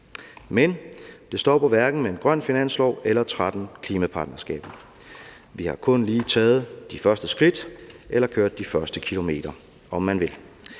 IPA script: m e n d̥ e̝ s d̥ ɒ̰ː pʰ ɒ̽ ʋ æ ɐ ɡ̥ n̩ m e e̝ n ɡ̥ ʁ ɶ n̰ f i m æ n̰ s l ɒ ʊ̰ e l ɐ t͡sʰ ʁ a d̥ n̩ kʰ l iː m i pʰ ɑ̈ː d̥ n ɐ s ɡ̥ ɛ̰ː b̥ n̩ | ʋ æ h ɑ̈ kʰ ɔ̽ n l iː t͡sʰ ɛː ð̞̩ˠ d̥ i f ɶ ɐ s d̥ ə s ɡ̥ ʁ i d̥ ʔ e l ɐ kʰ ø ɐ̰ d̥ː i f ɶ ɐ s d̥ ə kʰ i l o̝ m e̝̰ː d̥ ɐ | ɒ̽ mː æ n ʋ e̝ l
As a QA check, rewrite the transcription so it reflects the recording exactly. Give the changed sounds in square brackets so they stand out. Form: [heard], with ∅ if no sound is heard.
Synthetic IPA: m e n d̥ e̝ s d̥ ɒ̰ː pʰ ɒ̽ ʋ æ ɐ ɡ̥ n̩ m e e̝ n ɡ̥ ʁ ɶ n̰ f i [n] æ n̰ s l ɒ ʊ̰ e l ɐ t͡sʰ ʁ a d̥ n̩ kʰ l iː m [æ] pʰ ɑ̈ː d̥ n ɐ s ɡ̥ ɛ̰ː b̥ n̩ | ʋ [i] h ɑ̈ kʰ ɔ̽ n l iː t͡sʰ ɛː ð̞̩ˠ d̥ i f ɶ ɐ s d̥ ə s ɡ̥ ʁ i d̥ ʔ e l ɐ kʰ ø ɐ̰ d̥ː i f ɶ ɐ s d̥ ə kʰ i l o̝ m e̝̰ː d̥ ɐ | ɒ̽ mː æ n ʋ e̝ l

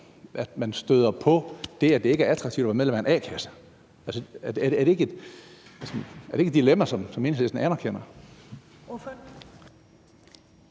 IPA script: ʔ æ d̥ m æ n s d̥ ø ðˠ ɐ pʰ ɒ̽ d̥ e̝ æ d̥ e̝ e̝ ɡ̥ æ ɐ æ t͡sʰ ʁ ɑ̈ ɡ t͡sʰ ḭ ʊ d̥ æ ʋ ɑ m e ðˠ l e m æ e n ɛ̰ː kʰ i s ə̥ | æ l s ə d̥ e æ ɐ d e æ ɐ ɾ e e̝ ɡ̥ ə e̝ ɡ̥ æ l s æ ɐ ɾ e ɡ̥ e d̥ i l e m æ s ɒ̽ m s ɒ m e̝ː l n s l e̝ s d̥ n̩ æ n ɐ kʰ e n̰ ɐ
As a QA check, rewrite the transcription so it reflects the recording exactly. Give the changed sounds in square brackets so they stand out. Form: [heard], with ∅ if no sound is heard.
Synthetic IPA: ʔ æ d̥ m æ n s d̥ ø ðˠ ɐ pʰ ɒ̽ d̥ e̝ æ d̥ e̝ e̝ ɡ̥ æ ɐ æ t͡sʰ ʁ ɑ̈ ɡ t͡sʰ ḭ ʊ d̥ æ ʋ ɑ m e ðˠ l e m æ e n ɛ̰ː kʰ [æ] s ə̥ | æ l s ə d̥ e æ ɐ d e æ ɐ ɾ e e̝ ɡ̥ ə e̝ [d̥] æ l s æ ɐ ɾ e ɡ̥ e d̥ i l e m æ s ɒ̽ m s ɒ m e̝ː [∅] n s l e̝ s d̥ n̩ æ n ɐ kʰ e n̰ ɐ

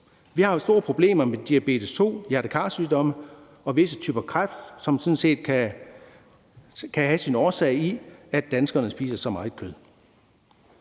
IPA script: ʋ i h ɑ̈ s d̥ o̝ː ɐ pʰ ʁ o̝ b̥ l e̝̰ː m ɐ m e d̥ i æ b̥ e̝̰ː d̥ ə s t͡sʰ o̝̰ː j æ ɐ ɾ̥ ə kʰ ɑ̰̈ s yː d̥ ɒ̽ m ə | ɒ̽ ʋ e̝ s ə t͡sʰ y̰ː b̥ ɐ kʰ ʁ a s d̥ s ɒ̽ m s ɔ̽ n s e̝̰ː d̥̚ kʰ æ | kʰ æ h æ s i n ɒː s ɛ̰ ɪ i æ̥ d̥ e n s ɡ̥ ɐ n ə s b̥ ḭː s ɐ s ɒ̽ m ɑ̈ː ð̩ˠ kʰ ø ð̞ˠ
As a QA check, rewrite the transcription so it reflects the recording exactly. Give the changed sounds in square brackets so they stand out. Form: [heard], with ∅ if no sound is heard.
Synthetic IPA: ʋ i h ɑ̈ s d̥ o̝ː ɐ pʰ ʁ o̝ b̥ l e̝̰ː m ɐ m e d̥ i æ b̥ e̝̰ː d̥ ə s t͡sʰ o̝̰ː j æ ɐ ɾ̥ ə kʰ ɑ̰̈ s yː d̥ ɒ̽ m ə | ɒ̽ ʋ e̝ s ə t͡sʰ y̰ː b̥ ɐ kʰ ʁ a [f] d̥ s ɒ̽ m s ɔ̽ n s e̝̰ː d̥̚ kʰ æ | kʰ æ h æ s i n ɒː s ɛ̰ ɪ i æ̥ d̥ [æ] n s ɡ̥ ɐ n ə s b̥ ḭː s ɐ s ɒ̽ m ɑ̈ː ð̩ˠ kʰ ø ð̞ˠ

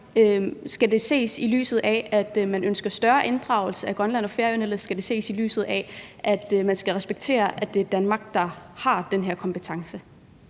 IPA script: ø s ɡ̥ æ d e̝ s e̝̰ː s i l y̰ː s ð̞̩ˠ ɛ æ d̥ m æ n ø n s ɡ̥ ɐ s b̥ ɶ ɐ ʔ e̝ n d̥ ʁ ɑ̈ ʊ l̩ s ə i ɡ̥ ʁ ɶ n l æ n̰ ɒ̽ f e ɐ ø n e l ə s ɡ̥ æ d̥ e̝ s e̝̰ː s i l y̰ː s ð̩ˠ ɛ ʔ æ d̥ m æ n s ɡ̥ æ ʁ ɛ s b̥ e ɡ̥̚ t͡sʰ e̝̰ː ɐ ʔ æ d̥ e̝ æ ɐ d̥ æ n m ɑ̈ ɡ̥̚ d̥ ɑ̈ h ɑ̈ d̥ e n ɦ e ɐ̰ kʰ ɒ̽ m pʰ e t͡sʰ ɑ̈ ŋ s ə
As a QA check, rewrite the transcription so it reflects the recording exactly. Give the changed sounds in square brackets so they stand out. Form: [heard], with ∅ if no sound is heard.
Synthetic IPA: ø s ɡ̥ æ d e̝ s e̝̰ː s i l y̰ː s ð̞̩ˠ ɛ æ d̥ m æ n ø n s ɡ̥ ɐ s [d̥] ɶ ɐ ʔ e̝ n d̥ ʁ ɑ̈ ʊ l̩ s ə [æ] ɡ̥ ʁ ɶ n l æ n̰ ɒ̽ f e ɐ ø n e l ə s ɡ̥ æ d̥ e̝ s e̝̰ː s i l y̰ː s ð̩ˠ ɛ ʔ æ d̥ m æ n s ɡ̥ æ ʁ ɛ s b̥ e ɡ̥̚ t͡sʰ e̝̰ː ɐ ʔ æ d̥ e̝ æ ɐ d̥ æ n m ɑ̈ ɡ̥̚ d̥ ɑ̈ h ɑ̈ d̥ e n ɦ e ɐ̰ kʰ ɒ̽ m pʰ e t͡sʰ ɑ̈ ŋ s ə

